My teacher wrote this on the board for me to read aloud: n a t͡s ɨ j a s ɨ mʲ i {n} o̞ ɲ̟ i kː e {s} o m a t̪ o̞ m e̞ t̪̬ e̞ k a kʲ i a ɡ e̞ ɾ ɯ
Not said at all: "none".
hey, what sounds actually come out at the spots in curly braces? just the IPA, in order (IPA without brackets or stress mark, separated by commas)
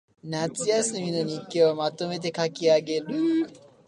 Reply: n, none